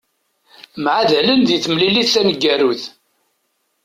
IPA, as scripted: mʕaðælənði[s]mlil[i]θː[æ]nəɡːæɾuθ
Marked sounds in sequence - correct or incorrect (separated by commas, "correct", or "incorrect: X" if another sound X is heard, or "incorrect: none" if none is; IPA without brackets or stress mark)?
incorrect: θ, correct, correct